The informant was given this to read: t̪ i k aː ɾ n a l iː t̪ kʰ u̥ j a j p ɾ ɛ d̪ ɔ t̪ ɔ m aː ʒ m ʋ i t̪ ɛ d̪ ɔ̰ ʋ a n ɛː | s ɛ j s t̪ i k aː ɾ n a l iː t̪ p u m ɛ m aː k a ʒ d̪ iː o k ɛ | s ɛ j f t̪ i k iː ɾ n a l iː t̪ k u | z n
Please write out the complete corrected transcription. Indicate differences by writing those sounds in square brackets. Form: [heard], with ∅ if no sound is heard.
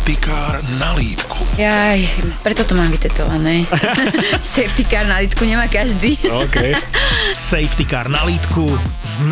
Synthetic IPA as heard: t̪ i k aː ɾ n a l iː t̪ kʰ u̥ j a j p ɾ ɛ [t̪] ɔ t̪ ɔ m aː [∅] m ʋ i t̪ ɛ [t̪] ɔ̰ ʋ a n ɛː | s ɛ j [f] t̪ i k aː ɾ n a l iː t̪ [k] u [ɲ] ɛ m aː k a ʒ d̪ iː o k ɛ | s ɛ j f t̪ i k [aː] ɾ n a l iː t̪ k u | z n